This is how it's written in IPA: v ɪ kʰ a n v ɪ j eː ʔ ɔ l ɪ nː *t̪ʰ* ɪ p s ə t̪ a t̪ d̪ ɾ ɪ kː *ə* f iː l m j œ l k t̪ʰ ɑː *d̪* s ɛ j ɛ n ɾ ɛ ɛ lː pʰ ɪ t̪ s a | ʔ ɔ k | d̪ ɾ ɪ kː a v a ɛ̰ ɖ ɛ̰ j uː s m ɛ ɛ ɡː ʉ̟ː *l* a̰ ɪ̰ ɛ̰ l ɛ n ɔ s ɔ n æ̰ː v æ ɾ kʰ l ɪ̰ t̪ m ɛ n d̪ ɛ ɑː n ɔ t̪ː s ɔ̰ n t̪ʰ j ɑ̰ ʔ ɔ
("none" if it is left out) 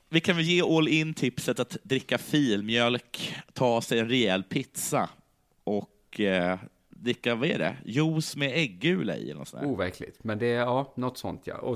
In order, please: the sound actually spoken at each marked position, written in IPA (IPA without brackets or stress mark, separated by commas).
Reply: t̪ʰ, a, none, l